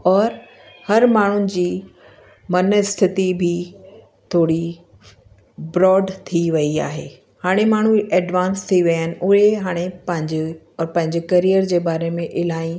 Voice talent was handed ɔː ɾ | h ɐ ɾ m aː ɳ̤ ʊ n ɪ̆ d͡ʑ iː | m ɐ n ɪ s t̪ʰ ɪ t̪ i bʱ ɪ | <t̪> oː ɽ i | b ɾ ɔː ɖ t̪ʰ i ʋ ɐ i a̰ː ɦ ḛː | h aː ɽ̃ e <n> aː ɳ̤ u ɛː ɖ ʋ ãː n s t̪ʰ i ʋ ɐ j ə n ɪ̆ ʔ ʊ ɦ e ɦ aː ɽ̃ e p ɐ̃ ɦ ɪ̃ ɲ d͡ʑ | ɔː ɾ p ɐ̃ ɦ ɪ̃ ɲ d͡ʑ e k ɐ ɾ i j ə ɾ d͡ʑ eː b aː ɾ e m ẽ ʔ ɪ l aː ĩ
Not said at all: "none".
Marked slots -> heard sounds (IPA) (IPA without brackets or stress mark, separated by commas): t̪ʰ, m